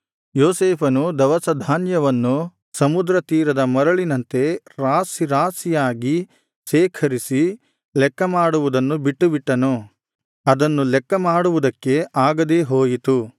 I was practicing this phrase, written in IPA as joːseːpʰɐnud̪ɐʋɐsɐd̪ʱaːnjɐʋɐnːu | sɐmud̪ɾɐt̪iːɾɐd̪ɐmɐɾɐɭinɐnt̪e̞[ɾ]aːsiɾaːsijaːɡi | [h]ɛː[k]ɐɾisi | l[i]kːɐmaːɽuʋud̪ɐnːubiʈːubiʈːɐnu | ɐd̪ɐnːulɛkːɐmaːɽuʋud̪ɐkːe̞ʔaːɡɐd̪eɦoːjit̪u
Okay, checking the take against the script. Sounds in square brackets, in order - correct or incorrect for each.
correct, incorrect: ʃ, incorrect: kʰ, incorrect: ɛ

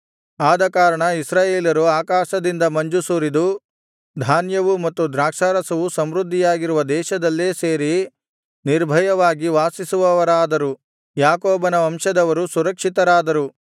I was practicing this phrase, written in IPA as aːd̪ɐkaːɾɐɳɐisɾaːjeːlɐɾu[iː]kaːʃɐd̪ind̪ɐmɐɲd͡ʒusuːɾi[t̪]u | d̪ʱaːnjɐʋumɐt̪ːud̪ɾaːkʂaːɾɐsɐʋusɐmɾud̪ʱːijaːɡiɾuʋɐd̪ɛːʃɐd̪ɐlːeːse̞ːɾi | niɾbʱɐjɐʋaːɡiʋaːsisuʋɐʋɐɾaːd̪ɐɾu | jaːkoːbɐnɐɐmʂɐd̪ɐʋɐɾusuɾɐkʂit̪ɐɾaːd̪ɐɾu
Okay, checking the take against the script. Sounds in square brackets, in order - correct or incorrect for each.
incorrect: aː, incorrect: d̪

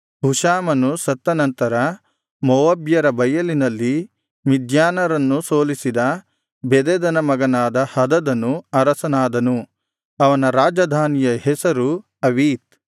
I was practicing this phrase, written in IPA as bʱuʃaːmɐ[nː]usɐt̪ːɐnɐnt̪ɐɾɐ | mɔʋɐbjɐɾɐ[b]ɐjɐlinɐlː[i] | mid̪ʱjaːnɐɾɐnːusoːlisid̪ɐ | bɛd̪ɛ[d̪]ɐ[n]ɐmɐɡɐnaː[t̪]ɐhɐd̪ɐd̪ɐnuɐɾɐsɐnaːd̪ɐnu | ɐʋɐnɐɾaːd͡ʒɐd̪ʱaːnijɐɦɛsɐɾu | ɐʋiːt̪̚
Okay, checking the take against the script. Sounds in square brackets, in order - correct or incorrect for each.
incorrect: n, correct, correct, correct, correct, incorrect: d̪

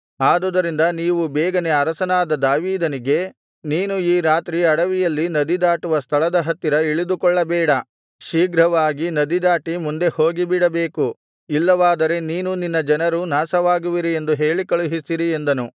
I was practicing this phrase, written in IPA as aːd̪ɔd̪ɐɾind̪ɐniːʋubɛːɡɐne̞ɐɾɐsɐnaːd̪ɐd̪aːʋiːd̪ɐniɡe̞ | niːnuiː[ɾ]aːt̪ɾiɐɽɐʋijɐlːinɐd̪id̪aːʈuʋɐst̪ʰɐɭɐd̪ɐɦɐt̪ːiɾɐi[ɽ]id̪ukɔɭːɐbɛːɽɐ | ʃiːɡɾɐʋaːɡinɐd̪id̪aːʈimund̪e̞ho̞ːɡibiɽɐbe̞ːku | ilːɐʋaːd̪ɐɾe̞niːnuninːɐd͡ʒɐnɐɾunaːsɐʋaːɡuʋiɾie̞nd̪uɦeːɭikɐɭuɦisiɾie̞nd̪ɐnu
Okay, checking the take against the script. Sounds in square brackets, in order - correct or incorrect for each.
correct, incorrect: ɭ

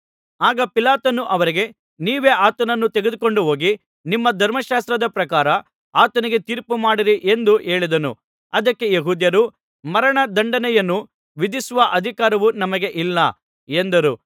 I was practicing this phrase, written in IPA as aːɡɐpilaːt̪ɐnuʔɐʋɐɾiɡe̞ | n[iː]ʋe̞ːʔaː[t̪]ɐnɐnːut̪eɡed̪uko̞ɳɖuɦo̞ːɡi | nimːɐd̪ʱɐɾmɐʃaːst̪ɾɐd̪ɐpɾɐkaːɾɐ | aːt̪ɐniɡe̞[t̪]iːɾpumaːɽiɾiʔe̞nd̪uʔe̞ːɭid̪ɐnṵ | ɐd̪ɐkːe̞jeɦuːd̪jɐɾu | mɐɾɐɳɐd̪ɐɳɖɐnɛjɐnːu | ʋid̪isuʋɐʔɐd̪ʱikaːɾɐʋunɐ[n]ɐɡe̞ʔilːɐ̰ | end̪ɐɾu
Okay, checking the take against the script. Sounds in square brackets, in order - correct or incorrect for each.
correct, correct, correct, incorrect: m

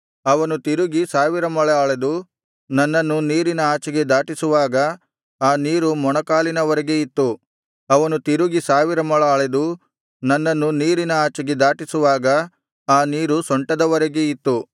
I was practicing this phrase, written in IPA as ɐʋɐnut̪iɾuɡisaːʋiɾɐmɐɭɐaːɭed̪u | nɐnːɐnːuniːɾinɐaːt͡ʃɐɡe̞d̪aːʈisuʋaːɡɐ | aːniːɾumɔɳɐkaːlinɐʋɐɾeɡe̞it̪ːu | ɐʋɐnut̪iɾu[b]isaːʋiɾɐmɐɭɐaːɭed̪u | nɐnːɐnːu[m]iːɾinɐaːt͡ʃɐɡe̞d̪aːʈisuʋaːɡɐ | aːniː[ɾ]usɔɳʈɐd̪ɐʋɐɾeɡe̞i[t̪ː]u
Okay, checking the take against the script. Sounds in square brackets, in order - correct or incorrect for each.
incorrect: ɡ, incorrect: n, correct, correct

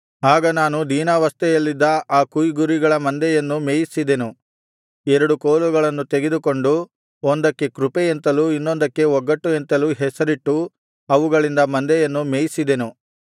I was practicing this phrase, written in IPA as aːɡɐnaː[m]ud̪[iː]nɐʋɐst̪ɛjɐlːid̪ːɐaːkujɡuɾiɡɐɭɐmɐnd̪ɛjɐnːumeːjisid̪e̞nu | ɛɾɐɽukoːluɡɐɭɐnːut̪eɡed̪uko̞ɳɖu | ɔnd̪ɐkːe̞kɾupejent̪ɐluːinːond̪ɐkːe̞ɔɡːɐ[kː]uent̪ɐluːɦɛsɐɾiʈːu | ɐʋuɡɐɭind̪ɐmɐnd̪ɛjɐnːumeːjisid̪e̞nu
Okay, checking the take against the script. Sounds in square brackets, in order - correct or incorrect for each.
incorrect: n, correct, incorrect: ʈː

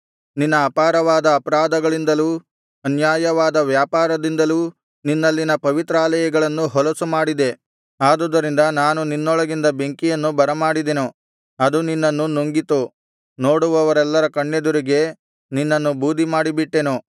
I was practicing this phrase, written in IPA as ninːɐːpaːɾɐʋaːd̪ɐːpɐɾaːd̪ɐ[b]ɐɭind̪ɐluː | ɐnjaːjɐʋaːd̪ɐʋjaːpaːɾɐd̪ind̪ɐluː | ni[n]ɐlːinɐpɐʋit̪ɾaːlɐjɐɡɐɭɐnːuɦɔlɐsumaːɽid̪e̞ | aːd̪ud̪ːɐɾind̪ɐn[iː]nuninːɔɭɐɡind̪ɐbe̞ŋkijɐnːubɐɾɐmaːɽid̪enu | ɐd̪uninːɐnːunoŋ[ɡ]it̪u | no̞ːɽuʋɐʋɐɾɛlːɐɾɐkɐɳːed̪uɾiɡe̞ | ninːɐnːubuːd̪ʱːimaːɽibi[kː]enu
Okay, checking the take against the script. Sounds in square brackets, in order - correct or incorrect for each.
incorrect: ɡ, incorrect: nː, incorrect: aː, correct, incorrect: ʈː

